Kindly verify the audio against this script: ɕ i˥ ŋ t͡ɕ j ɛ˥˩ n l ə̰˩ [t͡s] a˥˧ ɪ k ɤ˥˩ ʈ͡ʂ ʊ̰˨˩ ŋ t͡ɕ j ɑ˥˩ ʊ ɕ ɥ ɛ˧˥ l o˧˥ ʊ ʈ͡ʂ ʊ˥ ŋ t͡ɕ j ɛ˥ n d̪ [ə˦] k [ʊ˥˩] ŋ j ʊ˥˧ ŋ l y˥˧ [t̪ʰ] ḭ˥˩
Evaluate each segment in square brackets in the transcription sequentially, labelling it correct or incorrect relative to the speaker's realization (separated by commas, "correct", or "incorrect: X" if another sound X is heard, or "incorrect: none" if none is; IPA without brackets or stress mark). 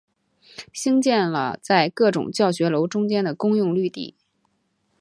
correct, incorrect: ə˨, incorrect: ʊ˥, incorrect: t̪